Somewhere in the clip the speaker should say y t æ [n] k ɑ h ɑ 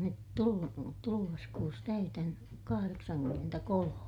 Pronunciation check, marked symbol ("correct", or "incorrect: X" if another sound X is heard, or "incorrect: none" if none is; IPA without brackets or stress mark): correct